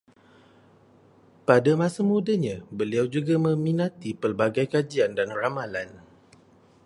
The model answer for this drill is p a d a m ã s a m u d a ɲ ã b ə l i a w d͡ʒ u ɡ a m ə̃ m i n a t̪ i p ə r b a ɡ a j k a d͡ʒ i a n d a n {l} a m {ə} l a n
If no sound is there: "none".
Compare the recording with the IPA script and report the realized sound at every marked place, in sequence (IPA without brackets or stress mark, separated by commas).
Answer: r, a